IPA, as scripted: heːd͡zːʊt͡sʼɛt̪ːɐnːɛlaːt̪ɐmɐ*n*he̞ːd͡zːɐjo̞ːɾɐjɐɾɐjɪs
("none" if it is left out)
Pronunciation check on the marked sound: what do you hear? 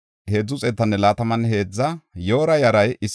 n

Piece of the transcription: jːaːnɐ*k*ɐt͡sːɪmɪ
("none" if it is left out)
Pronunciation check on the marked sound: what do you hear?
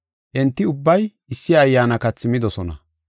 k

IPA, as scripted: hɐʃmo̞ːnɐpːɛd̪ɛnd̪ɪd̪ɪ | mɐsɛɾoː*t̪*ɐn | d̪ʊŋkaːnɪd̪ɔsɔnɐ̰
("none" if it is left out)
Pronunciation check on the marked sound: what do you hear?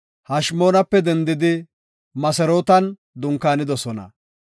t̪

